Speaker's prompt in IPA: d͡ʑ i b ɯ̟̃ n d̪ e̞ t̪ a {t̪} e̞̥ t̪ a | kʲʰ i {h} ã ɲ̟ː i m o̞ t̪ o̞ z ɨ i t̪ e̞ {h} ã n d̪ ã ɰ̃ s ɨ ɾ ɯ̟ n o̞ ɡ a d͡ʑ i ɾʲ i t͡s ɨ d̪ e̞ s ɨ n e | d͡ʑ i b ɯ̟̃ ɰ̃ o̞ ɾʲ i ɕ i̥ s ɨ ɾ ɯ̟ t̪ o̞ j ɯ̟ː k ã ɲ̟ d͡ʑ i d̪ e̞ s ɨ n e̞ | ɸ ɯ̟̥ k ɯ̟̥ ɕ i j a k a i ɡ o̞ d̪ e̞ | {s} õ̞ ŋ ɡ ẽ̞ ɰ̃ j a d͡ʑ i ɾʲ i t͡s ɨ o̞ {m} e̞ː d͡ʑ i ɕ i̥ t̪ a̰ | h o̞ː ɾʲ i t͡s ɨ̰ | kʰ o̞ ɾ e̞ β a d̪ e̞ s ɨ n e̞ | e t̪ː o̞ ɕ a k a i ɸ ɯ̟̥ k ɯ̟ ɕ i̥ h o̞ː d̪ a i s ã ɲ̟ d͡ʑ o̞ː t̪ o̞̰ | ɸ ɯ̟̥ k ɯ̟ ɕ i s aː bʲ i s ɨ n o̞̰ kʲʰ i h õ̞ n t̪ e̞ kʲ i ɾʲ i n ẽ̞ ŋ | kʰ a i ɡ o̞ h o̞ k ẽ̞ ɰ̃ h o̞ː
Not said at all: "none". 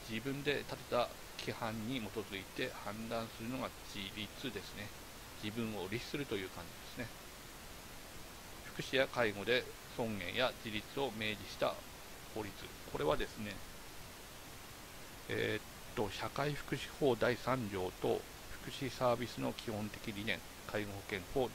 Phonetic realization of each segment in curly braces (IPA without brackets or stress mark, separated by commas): t̪, h, h, s, m